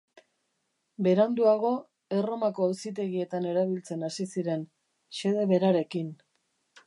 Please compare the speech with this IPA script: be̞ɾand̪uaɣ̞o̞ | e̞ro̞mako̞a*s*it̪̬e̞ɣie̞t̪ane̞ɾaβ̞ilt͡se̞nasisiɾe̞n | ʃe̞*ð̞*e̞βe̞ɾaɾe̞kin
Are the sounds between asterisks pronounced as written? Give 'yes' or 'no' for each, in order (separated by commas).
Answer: yes, yes